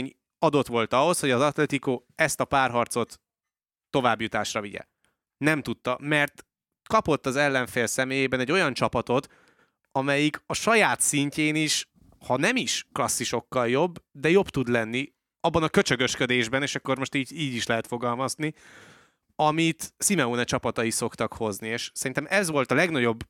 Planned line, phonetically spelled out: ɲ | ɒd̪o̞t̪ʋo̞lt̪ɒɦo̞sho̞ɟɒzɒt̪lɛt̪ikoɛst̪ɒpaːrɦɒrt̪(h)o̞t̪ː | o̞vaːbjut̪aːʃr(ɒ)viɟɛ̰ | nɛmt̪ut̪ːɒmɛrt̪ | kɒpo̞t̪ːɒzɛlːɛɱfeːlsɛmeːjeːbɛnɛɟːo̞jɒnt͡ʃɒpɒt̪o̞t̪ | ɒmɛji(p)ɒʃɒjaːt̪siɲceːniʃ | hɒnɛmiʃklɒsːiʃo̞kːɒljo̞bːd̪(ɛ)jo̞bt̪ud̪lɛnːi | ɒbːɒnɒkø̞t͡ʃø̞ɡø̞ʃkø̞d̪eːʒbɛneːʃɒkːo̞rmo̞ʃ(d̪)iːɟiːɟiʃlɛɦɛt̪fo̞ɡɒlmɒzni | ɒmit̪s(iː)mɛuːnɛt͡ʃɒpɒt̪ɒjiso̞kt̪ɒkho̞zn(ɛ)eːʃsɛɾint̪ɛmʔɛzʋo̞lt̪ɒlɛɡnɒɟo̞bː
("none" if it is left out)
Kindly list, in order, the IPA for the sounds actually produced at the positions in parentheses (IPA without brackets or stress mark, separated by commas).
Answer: s, ɒ, k, ɛ, t̪, i, i